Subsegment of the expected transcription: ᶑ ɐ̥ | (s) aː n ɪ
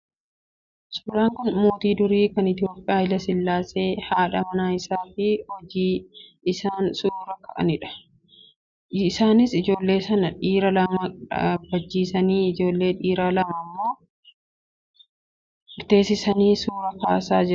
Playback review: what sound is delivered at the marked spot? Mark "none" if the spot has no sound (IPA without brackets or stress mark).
s